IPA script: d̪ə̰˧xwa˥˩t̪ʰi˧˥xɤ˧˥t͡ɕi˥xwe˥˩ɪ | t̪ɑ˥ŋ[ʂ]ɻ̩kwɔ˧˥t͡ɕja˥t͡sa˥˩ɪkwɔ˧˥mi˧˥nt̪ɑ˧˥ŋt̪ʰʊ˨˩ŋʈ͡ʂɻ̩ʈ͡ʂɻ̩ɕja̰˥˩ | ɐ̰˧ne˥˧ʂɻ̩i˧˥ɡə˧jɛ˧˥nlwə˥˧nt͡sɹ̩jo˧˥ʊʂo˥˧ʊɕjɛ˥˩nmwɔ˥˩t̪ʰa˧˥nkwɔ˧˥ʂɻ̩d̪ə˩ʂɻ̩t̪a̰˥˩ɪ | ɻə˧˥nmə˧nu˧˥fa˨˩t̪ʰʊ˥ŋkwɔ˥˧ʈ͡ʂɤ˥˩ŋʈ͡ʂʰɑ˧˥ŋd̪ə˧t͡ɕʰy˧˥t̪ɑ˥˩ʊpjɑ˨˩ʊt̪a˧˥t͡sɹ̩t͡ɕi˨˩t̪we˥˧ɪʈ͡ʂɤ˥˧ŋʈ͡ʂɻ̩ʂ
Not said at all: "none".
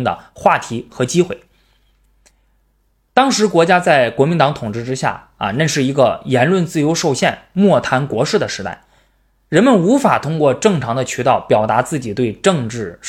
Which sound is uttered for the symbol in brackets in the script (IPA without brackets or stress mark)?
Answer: ʂ